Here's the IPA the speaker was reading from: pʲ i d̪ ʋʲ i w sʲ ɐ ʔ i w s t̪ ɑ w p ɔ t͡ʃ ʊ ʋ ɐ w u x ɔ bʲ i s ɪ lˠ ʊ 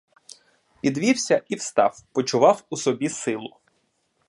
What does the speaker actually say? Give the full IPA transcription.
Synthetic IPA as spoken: pʲ i d̪ ʋʲ i w sʲ ɐ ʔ i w s t̪ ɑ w p ɔ t͡ʃ ʊ ʋ ɑ w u s ɔ bʲ i s ɪ lˠ ʊ